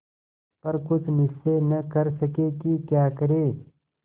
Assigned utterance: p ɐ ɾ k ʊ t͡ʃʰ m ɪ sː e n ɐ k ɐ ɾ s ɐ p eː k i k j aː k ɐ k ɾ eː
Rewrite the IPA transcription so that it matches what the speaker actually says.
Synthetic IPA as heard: p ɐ ɾ k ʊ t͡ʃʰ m ɪ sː e n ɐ k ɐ ɾ s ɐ k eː k i k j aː k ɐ ɾ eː